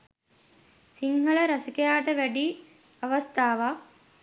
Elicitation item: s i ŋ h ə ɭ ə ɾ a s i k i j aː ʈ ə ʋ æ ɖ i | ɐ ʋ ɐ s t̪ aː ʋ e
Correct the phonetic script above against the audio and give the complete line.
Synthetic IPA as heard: s i ŋ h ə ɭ ə ɾ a s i k e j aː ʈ ə ʋ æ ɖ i | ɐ ʋ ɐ s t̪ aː ʋ a

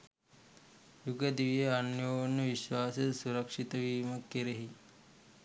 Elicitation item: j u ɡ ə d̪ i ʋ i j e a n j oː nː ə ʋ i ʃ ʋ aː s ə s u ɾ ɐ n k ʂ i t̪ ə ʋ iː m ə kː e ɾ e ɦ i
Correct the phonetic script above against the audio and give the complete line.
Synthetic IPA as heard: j u ɡ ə d̪ i ʋ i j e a n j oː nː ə ʋ i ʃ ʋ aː s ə s u ɾ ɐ k ʂ i t̪ ə ʋ iː m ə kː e ɾ e ɦ i

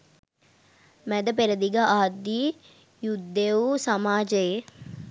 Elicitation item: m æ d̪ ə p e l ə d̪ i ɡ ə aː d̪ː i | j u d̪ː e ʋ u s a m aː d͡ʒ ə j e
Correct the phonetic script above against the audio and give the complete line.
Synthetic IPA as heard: m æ d̪ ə p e ɾ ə d̪ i ɡ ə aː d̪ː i | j u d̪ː e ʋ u s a m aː d͡ʒ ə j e

